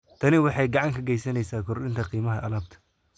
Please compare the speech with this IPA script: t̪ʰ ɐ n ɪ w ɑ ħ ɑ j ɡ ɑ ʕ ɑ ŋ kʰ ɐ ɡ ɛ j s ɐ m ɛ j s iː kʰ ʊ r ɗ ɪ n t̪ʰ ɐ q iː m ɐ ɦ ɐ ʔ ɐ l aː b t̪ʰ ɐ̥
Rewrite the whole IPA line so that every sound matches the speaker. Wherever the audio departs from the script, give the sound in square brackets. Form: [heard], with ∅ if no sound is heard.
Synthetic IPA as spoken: t̪ʰ ɐ n ɪ w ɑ ħ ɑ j ɡ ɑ ʕ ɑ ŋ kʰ ɐ ɡ ɛ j s ɐ [n] ɛ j s [aː] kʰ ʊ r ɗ ɪ n t̪ʰ ɐ q iː m ɐ ɦ ɐ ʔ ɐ l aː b t̪ʰ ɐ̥

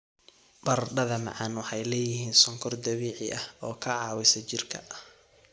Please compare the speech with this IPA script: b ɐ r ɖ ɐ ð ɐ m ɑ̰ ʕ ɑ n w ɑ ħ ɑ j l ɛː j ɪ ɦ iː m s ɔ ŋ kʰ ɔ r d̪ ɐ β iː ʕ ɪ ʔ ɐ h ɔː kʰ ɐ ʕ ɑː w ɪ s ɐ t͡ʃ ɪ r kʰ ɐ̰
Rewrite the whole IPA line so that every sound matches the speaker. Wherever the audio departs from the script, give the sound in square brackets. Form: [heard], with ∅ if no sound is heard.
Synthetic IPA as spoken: b ɐ r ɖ ɐ ð ɐ m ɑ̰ ʕ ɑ n w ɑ ħ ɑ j l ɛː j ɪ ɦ iː [n] s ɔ ŋ kʰ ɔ r d̪ ɐ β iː ʕ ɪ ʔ ɐ h ɔː kʰ ɐ ʕ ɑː w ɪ s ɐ t͡ʃ ɪ r kʰ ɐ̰

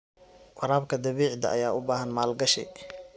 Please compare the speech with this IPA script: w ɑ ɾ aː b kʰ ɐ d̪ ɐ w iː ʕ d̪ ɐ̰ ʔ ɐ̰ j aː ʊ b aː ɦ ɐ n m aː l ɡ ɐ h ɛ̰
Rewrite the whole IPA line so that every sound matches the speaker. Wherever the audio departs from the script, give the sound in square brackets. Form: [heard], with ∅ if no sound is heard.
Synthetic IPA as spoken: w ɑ ɾ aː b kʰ ɐ d̪ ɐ [β] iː ʕ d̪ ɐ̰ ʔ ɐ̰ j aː ʊ b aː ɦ ɐ n m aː l ɡ ɐ [ʃ] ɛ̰

